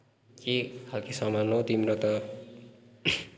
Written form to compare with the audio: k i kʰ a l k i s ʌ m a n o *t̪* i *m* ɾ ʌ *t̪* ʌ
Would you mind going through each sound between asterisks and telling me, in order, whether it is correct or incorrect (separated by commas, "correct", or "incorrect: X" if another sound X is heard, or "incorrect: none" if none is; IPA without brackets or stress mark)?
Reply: correct, correct, correct